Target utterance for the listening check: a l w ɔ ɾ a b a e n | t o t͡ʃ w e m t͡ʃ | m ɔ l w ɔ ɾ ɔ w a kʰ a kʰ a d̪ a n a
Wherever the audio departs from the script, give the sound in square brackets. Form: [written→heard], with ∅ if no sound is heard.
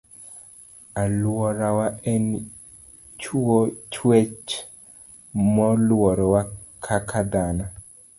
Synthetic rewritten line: a l w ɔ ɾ a [b→w] a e n | [t→t͡ʃ] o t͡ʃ w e [m→∅] t͡ʃ | m ɔ l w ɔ ɾ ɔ w a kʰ a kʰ a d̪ a n a